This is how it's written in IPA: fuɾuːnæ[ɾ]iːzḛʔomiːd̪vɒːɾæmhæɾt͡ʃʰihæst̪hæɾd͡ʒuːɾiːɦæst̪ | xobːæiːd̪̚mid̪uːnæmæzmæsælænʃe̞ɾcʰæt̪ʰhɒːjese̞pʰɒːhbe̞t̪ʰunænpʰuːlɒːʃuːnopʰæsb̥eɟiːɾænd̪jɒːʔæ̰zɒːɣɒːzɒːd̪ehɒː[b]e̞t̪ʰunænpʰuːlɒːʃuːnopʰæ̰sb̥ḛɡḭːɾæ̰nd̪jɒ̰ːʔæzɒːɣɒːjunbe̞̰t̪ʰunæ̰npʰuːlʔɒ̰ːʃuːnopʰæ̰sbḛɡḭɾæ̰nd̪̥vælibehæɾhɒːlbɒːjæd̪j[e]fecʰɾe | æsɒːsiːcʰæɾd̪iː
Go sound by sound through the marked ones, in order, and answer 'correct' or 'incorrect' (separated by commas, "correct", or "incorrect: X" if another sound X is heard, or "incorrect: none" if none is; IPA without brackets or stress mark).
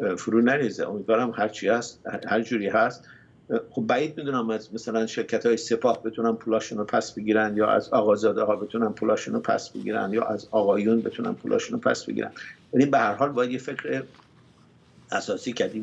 correct, correct, correct